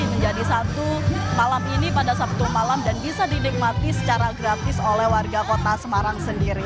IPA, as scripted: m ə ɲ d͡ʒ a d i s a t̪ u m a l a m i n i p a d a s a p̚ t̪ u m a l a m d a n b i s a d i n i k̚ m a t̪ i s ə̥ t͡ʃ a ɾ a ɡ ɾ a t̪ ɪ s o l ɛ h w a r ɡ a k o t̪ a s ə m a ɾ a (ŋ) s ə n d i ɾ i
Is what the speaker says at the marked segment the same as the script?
yes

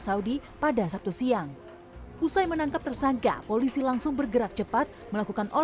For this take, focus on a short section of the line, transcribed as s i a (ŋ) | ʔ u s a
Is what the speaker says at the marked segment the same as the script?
yes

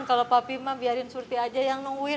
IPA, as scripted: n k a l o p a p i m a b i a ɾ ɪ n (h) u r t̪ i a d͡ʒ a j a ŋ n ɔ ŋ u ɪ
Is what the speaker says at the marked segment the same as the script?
no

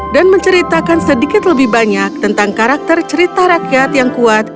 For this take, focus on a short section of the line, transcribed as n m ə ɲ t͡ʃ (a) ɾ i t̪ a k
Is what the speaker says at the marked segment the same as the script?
no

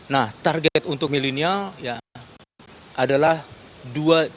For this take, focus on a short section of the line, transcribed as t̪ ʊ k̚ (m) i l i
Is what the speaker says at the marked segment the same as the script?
yes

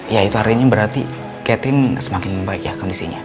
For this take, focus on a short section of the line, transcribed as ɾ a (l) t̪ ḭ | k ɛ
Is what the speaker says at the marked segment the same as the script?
no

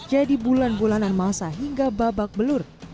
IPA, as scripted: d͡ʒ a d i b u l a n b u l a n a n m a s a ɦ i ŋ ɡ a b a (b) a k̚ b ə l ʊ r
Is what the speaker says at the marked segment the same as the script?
yes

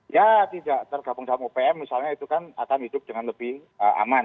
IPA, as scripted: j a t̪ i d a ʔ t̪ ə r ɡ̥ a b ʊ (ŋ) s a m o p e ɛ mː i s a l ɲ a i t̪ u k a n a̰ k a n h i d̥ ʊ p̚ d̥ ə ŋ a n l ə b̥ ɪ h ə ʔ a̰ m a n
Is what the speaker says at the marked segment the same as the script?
yes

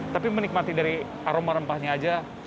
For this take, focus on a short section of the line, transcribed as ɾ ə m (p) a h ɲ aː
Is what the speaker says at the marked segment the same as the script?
yes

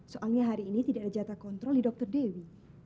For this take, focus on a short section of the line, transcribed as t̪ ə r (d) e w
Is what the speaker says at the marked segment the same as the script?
yes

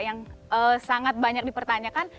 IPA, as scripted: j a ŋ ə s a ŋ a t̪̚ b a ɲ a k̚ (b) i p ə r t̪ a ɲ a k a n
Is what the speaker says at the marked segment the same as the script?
no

